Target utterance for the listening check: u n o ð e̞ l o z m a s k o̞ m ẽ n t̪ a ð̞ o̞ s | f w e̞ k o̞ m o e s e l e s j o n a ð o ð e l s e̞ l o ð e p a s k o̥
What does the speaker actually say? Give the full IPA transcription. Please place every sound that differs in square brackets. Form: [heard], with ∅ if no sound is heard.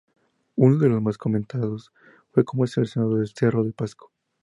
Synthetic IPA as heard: u n o ð e̞ l o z m a s k o̞ m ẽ n t̪ a ð̞ o̞ s | f w e̞ k o̞ m o e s e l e s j o n a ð o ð e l s e̞ [r] o ð e p a s k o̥